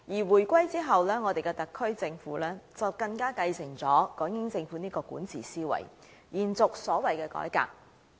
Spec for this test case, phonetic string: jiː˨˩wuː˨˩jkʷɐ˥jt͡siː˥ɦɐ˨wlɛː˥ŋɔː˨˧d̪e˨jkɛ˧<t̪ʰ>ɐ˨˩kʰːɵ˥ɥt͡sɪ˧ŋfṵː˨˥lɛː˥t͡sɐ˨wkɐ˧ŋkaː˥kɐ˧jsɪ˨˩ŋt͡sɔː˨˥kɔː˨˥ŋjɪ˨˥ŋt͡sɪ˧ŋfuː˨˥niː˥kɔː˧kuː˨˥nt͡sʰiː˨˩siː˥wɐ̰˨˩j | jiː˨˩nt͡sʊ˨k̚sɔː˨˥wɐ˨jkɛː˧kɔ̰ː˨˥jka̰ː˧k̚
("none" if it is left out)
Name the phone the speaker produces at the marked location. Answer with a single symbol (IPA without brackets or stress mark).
t̪